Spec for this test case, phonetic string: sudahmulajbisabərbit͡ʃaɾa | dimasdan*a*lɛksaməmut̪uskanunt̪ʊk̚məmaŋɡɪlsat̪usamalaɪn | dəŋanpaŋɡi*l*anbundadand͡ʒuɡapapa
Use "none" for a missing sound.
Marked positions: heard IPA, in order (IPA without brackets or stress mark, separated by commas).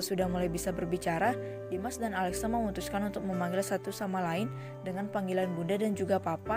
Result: a, l